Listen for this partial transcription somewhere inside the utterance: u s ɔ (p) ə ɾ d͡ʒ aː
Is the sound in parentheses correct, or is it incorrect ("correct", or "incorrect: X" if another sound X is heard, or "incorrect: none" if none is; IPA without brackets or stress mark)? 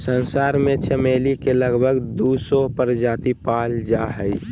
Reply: correct